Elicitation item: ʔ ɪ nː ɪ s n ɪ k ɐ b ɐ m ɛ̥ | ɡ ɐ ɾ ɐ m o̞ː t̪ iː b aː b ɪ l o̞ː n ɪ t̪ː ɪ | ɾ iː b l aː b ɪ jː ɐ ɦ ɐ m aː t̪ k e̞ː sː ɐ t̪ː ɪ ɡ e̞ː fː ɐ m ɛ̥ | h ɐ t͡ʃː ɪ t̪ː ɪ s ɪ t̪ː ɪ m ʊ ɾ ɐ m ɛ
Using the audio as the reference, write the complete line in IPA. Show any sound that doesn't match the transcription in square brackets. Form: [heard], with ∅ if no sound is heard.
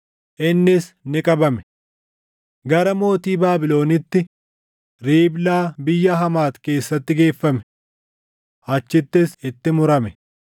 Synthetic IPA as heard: ʔ ɪ nː ɪ s n ɪ [kʼ] ɐ b ɐ m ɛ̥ | ɡ ɐ ɾ ɐ m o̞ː t̪ iː b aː b ɪ l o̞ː n ɪ t̪ː ɪ | ɾ iː b l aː b ɪ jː ɐ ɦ ɐ m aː t̪ k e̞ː sː ɐ t̪ː ɪ ɡ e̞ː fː ɐ m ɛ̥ | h ɐ t͡ʃː ɪ t̪ː ɪ s ɪ t̪ː ɪ m ʊ ɾ ɐ m ɛ